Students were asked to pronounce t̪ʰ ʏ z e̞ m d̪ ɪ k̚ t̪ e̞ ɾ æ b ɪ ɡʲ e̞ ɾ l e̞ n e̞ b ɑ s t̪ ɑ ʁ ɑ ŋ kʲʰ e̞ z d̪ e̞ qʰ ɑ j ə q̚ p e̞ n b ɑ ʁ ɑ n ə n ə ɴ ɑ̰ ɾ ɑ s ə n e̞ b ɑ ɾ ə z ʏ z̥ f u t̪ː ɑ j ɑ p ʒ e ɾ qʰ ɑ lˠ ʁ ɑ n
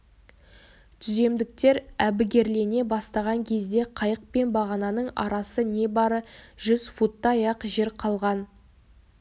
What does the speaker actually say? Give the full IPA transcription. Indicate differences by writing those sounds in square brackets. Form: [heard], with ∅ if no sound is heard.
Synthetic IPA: t̪ʰ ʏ z e̞ m d̪ ɪ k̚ t̪ e̞ ɾ æ b ɪ ɡʲ e̞ ɾ l e̞ n e̞ b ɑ s t̪ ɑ ʁ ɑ ŋ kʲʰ e̞ z d̪ e̞ qʰ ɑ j ə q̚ p e̞ n b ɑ ʁ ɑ n [ɑ] n ə ɴ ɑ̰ ɾ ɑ s ə n e̞ b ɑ ɾ ə [ʒ] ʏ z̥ f u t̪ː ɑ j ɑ [q] ʒ e ɾ qʰ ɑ lˠ ʁ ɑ n

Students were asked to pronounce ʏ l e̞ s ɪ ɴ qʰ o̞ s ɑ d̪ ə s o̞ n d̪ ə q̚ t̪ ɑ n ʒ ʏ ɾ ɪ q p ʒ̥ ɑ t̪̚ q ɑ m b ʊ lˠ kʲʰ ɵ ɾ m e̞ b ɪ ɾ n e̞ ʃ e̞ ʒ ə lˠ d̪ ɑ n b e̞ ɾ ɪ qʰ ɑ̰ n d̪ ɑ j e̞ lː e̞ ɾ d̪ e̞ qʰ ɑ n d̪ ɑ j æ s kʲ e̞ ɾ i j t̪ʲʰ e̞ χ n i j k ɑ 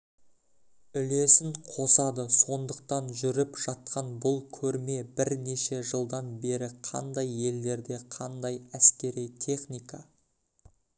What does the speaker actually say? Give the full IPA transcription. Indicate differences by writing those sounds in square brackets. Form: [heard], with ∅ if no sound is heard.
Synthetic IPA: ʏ l e̞ s ɪ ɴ qʰ o̞ s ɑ d̪ ə s o̞ n d̪ ə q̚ t̪ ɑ n ʒ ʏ ɾ ɪ [∅] p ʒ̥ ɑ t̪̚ q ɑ [n] b ʊ lˠ kʲʰ ɵ ɾ m e̞ b ɪ ɾ n e̞ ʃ e̞ ʒ ə lˠ d̪ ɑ n b e̞ ɾ ɪ qʰ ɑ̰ n d̪ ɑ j e̞ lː e̞ ɾ d̪ e̞ qʰ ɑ n d̪ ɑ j æ s kʲ e̞ ɾ i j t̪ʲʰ e̞ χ n i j k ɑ

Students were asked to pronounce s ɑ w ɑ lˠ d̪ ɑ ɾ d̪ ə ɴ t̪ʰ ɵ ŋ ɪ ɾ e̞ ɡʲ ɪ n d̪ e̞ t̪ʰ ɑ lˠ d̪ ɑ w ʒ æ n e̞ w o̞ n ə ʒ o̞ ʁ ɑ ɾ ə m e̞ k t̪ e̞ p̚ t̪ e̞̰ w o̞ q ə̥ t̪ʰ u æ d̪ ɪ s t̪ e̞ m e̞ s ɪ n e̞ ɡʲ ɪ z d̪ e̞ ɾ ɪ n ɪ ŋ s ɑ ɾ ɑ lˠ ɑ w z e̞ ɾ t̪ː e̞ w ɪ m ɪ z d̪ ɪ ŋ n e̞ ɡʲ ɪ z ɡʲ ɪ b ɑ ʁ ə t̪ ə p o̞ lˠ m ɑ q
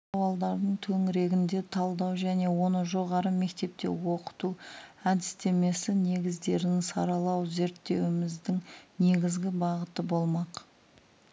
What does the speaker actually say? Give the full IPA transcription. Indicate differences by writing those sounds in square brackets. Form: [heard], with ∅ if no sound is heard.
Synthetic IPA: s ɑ w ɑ lˠ d̪ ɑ ɾ d̪ ə ɴ t̪ʰ ɵ ŋ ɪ ɾ e̞ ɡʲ ɪ n d̪ e̞ t̪ʰ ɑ lˠ d̪ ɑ w ʒ æ n e̞ w o̞ n ə ʒ o̞ ʁ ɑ ɾ ə m e̞ k t̪ e̞ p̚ t̪ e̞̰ w o̞ q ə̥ [t̪] u æ d̪ ɪ s t̪ e̞ m e̞ s ɪ n e̞ ɡʲ ɪ z d̪ e̞ ɾ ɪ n ɪ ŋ s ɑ ɾ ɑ lˠ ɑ w z e̞ ɾ t̪ː e̞ w ɪ m ɪ z d̪ ɪ ŋ n e̞ ɡʲ ɪ z ɡʲ ɪ b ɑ ʁ ə t̪ ə [b] o̞ lˠ m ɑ q

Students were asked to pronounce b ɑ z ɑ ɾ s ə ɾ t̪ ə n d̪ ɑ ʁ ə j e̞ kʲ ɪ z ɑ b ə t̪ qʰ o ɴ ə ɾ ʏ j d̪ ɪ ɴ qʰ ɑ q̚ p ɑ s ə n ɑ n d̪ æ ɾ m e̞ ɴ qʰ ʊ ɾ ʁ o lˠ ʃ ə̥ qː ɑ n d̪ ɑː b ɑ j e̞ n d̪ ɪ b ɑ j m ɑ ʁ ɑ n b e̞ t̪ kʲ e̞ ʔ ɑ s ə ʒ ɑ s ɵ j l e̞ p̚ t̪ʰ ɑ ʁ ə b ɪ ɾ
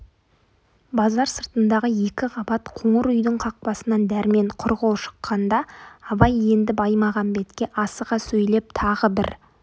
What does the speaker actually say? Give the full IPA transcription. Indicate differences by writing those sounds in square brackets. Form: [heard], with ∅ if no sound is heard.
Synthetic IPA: b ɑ z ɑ ɾ s ə ɾ t̪ ə n d̪ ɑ ʁ ə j e̞ kʲ ɪ [ʁ] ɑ b [ɑ] t̪ qʰ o ɴ ə ɾ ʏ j d̪ ɪ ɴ qʰ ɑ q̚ p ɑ s ə n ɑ n d̪ æ ɾ m e̞ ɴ qʰ ʊ ɾ ʁ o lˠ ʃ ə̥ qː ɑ n d̪ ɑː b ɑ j e̞ n d̪ ɪ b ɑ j m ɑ ʁ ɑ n b e̞ t̪ kʲ e̞ ʔ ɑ s ə [ʁ] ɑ s ɵ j l e̞ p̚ t̪ʰ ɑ ʁ ə b ɪ ɾ

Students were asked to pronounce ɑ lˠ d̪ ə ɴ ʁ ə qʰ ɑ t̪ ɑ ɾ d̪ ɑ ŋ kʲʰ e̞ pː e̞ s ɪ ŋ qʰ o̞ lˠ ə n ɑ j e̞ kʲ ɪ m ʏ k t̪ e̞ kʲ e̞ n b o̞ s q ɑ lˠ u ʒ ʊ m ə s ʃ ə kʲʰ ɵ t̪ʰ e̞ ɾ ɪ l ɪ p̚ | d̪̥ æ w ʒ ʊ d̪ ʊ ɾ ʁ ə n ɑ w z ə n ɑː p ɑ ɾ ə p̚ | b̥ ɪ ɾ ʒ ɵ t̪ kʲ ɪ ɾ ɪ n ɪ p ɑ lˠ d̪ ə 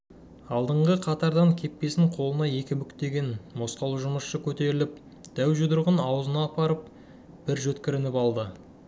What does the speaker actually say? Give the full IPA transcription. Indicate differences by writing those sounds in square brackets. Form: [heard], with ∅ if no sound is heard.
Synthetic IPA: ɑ lˠ d̪ ə ɴ ʁ ə qʰ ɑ t̪ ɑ ɾ d̪ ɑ ŋ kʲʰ e̞ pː e̞ s ɪ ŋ qʰ o̞ lˠ ə n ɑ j e̞ kʲ ɪ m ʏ k t̪ e̞ [ɡʲ] e̞ n [m] o̞ s q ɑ lˠ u ʒ ʊ m ə s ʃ ə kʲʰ ɵ [t̪] e̞ ɾ ɪ l ɪ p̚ | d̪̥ æ w ʒ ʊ d̪ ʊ ɾ ʁ ə n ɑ w z ə n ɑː p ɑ ɾ ə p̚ | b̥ ɪ ɾ ʒ ɵ t̪ kʲ ɪ ɾ ɪ n ɪ p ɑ lˠ d̪ ə

